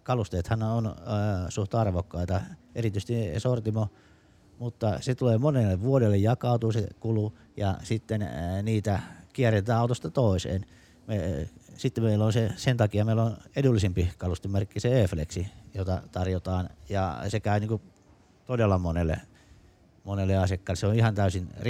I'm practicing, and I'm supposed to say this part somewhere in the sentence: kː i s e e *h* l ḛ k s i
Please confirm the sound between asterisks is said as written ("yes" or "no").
no